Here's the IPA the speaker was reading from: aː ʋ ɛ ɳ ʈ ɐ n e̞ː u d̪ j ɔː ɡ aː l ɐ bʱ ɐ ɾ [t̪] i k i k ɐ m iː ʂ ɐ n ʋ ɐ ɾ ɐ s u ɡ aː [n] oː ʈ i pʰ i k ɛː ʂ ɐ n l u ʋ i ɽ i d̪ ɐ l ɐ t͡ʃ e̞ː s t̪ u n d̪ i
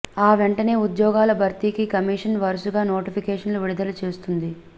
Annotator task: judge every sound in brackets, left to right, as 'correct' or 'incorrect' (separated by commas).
correct, correct